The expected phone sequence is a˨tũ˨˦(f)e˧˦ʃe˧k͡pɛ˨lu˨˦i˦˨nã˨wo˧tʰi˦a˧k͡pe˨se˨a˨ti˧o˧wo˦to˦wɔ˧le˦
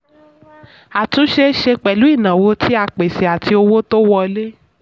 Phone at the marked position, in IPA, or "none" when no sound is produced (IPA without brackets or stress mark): ʃ